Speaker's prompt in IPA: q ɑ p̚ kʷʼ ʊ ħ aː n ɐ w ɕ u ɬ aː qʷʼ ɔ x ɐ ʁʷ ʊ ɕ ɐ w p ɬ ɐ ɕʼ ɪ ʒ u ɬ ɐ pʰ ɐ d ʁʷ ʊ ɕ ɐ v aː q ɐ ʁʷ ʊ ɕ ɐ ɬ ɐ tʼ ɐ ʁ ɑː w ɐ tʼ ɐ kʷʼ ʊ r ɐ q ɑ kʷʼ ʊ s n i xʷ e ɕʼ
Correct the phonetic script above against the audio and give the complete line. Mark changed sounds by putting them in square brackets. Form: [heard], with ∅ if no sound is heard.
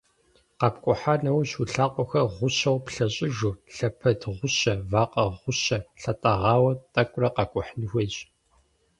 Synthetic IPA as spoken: q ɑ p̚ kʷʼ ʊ ħ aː n ɐ w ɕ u ɬ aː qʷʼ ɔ x ɐ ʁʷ ʊ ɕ ɐ w p ɬ ɐ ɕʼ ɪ ʒ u ɬ ɐ pʰ ɐ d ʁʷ ʊ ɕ ɐ v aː q ɐ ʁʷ ʊ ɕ ɐ ɬ ɐ tʼ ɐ ʁ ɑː w ɐ tʼ ɐ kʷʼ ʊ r ɐ q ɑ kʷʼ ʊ [ħ] n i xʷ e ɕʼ